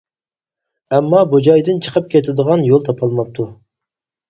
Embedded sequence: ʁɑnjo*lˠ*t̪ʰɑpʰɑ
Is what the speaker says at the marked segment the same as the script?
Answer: yes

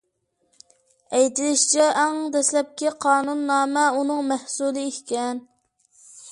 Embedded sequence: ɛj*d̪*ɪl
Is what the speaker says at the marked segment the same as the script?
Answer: no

